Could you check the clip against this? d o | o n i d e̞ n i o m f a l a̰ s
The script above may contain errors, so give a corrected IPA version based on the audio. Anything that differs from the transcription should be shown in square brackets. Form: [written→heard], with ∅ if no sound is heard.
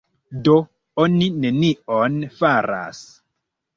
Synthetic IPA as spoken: d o | o n i [d→n] e̞ n i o [m→n] f a [l→ɾ] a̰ s

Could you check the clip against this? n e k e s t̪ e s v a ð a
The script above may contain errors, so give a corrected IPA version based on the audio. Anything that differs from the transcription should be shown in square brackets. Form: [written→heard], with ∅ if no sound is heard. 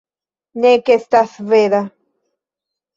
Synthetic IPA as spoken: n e k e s t̪ [e→a] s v [a→e] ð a

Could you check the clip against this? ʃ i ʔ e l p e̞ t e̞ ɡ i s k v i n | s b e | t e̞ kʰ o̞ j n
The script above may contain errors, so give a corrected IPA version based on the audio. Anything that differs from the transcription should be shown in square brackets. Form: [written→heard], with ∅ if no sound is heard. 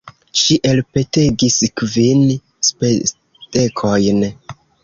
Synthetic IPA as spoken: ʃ i ʔ e l p e̞ t e̞ ɡ i s k v i n | s [b→p] e | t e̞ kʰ o̞ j n

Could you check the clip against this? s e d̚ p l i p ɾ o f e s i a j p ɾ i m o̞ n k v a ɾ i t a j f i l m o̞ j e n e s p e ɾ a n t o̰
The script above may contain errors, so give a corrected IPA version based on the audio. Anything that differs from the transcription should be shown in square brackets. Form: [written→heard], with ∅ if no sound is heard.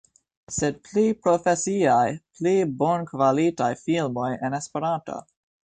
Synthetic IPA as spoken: s e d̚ p l i p ɾ o f e s i a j p [ɾ→l] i [m→b] o̞ n k v a [ɾ→l] i t a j f i l m o̞ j e n e s p e ɾ a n t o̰

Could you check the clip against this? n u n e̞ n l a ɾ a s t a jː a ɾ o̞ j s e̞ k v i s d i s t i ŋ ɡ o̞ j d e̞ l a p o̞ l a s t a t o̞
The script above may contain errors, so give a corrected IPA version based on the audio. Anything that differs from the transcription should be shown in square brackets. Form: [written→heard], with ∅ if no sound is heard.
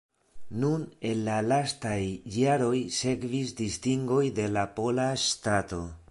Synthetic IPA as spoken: n u n e̞ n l a [ɾ→l] a s t a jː a ɾ o̞ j s e̞ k v i s d i s t i ŋ ɡ o̞ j d e̞ l a p o̞ l a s t a t o̞

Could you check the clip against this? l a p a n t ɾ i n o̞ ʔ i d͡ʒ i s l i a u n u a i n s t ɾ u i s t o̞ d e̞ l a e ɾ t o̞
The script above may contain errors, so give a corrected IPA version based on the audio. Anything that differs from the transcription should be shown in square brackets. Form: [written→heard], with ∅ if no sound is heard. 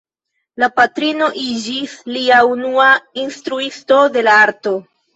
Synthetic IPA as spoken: l a p a [n→∅] t ɾ i n o̞ ʔ i d͡ʒ i s l i a u n u a i n s t ɾ u i s t o̞ d e̞ l a [e→a] ɾ t o̞

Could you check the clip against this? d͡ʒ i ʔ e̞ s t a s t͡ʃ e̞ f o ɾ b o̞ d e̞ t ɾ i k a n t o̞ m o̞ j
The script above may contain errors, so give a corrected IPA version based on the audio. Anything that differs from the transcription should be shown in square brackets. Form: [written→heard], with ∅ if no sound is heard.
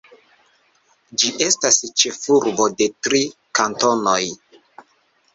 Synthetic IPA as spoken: d͡ʒ i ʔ e̞ s t a s t͡ʃ e̞ f [o→u] ɾ b o̞ d e̞ t ɾ i k a n t o̞ [m→n] o̞ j

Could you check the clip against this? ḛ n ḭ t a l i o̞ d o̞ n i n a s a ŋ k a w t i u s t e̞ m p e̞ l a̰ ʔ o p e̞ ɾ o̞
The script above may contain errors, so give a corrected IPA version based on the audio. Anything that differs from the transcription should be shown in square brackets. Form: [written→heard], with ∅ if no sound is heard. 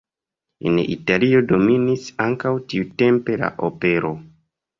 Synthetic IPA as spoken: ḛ n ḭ t a l i o̞ d o̞ [n→m] i n [a→i] s a ŋ k a w t i u [s→∅] t e̞ m p e̞ l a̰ ʔ o p e̞ ɾ o̞

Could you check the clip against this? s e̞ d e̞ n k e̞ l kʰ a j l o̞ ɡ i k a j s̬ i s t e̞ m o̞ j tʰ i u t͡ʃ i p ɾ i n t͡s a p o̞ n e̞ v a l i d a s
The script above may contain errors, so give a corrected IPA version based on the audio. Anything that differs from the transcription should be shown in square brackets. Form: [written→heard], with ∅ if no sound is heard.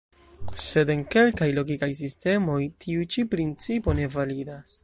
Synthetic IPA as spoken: s e̞ d e̞ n k e̞ l [kʰ→k] a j l o̞ ɡ i k a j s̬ i s t e̞ m o̞ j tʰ i u t͡ʃ i p ɾ i n t͡s [a→i] p o̞ n e̞ v a l i d a s

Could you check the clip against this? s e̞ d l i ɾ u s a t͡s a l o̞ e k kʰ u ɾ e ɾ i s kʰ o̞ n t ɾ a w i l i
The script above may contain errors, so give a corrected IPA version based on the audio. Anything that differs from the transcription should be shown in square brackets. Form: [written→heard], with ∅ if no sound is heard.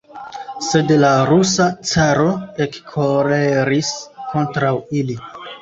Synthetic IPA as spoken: s e̞ d l [i→a] ɾ u s a t͡s a [l→ɾ] o̞ e k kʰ [u→o] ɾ e ɾ i s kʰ o̞ n t ɾ a w i l i

